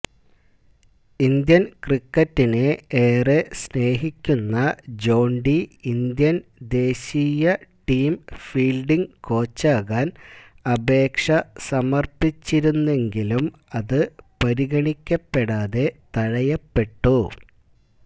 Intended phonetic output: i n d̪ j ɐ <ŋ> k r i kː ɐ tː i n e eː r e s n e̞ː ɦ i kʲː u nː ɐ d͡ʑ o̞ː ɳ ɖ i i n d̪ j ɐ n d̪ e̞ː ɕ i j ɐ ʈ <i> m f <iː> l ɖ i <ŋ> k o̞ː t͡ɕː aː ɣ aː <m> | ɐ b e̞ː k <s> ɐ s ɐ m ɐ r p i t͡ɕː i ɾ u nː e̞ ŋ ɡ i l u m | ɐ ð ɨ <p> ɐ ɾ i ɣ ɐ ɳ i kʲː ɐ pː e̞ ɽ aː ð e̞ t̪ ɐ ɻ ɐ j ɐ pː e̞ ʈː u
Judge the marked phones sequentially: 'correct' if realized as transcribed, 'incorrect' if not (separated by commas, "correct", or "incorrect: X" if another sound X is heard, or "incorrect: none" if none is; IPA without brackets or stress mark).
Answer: incorrect: n, incorrect: iː, correct, correct, incorrect: n, incorrect: ʂ, correct